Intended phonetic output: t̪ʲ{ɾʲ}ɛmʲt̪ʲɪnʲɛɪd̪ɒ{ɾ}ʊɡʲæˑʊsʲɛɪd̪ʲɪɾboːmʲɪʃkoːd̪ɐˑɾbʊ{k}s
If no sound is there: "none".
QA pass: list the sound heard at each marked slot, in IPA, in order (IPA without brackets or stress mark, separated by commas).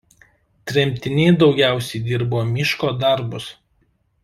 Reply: ɾʲ, none, none